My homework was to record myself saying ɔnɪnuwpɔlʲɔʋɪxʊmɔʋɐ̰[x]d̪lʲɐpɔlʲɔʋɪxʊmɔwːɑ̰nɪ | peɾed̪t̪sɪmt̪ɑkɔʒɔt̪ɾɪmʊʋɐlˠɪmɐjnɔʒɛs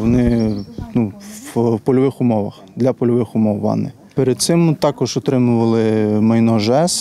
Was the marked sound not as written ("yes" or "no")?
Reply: no